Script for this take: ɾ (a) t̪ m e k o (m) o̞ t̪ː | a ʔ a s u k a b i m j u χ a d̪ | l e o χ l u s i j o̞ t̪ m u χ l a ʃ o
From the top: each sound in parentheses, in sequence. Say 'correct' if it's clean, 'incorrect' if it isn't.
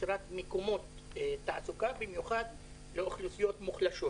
correct, correct

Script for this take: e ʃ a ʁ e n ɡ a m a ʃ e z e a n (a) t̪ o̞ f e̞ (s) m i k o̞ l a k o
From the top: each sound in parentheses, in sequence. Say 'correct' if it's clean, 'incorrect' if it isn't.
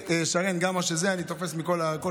incorrect: i, correct

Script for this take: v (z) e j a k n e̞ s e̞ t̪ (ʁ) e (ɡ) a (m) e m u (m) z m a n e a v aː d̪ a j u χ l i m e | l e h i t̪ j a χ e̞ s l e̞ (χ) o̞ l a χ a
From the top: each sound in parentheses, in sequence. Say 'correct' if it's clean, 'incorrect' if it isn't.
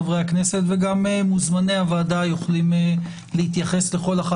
incorrect: ʁ, incorrect: v, correct, correct, incorrect: none, correct

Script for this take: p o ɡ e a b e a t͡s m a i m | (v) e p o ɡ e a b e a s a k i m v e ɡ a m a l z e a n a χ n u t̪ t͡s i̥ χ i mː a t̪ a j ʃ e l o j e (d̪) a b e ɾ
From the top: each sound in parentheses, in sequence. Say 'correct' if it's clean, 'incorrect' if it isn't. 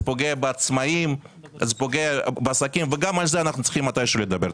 incorrect: z, correct

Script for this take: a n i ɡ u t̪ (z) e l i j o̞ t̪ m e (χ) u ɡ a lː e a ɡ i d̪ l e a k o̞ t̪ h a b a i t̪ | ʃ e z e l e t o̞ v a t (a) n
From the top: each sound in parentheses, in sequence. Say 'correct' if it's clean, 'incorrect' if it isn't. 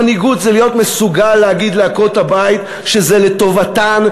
correct, incorrect: s, correct

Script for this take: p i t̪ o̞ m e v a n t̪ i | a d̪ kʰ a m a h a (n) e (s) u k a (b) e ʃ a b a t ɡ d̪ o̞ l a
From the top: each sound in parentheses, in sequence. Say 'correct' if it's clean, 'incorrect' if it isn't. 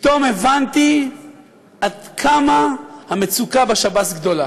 incorrect: m, incorrect: t͡s, correct

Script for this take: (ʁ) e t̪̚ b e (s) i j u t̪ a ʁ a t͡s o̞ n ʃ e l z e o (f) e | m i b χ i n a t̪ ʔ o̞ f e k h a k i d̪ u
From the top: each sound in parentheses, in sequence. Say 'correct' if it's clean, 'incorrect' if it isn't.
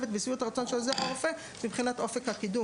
incorrect: v, correct, correct

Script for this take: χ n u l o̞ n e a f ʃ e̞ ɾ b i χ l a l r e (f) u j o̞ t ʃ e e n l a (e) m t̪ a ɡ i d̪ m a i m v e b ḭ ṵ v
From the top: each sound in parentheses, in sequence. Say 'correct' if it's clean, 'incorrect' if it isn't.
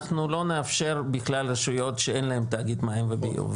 incorrect: ʃ, correct

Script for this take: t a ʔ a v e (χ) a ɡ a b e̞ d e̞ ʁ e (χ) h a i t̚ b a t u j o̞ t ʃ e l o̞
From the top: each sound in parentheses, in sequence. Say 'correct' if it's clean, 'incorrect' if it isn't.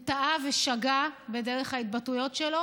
incorrect: ʃ, correct

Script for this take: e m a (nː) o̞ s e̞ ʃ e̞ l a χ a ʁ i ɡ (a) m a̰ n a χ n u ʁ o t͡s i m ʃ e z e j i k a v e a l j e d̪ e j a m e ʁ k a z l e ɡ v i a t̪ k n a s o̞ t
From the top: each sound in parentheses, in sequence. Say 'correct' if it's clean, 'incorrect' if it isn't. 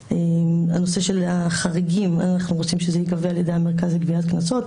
incorrect: n, incorrect: i

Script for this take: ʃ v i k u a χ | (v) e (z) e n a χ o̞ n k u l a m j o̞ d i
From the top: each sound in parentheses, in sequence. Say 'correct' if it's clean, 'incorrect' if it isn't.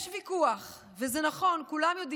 correct, correct

